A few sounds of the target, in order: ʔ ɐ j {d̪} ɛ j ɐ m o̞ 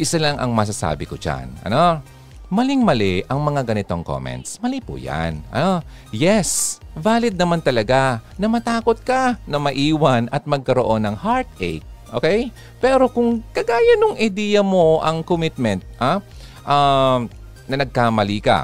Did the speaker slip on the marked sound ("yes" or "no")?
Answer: no